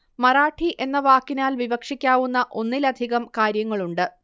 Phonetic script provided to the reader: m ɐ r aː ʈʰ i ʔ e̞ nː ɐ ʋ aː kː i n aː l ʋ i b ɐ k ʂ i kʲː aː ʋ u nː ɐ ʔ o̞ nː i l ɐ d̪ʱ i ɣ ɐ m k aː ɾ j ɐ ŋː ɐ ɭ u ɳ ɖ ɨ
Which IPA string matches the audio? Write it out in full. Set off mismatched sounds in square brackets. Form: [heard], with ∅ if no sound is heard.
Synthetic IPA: m ɐ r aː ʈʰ i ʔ e̞ nː ɐ ʋ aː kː i n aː l ʋ i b ɐ k ʂ i kʲː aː ʋ u nː ɐ ʔ o̞ nː i l ɐ d̪ʱ i ɣ ɐ m k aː ɾ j ɐ ŋː ɐ ɭ u ɳ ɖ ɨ